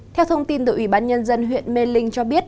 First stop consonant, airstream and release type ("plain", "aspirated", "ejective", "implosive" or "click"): aspirated